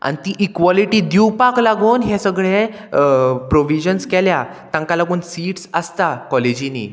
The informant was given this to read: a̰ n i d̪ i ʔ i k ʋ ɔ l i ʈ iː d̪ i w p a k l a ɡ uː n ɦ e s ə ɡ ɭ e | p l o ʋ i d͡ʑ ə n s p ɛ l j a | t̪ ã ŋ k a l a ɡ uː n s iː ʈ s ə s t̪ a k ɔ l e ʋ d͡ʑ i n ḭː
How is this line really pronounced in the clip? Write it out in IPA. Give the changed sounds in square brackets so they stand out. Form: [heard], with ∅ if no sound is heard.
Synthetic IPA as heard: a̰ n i [t̪] i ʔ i k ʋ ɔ l i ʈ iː d̪ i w p a k l a ɡ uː n ɦ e s ə ɡ ɭ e | p [ɾ] o ʋ i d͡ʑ ə n s [k] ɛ l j a | t̪ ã ŋ k a l a ɡ uː n s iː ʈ s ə s t̪ a k ɔ l e [∅] d͡ʑ i n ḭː